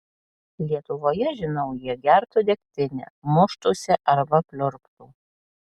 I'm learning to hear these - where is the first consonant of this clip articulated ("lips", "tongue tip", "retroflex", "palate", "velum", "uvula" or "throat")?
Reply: tongue tip